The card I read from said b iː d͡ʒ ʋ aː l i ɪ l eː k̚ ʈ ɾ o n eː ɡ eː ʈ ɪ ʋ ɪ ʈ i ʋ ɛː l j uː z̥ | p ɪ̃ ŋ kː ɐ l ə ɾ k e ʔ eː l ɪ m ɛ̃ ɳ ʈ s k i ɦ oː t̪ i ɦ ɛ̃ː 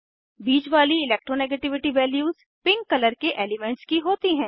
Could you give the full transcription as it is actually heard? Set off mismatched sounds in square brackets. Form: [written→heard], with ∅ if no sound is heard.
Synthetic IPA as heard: b iː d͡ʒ ʋ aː l i ɪ l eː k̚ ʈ ɾ o n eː ɡ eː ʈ ɪ ʋ ɪ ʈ i ʋ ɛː l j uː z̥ | p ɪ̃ ŋ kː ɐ l ə ɾ k e ʔ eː l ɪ m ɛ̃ ɳ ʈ s k i ɦ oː t̪ i ɦ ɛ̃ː